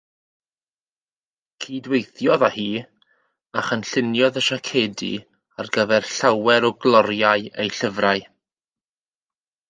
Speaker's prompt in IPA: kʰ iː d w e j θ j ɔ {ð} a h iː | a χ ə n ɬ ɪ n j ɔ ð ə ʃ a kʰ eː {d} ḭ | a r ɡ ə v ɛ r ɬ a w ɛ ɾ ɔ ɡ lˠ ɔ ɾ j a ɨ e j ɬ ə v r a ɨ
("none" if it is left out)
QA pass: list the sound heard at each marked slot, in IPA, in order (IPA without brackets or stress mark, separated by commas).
ð, d